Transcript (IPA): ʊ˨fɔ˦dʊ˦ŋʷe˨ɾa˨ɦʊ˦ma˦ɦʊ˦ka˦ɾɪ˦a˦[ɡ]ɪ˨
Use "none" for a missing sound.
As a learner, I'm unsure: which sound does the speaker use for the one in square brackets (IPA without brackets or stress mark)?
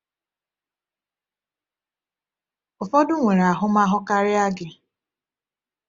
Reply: ɡ